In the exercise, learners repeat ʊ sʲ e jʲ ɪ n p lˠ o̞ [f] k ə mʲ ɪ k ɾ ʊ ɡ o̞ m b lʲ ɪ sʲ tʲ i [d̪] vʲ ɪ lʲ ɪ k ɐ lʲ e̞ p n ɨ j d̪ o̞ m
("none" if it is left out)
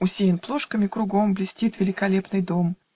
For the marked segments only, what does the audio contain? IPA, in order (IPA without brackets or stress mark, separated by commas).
ʂ, t̪